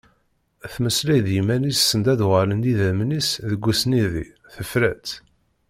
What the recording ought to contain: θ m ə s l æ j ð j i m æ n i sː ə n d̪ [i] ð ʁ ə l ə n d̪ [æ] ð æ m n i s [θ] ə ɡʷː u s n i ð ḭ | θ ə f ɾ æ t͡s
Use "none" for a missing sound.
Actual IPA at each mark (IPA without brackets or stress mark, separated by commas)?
æ, i, ð